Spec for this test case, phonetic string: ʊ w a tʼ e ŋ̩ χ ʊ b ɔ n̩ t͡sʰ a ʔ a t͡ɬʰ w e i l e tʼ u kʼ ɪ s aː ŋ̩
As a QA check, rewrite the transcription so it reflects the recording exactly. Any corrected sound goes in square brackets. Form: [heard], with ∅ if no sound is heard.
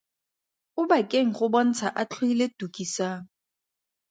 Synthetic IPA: ʊ [b] a [kʼ] e ŋ̩ χ ʊ b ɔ n̩ t͡sʰ a ʔ a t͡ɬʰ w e i l e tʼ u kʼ [i] s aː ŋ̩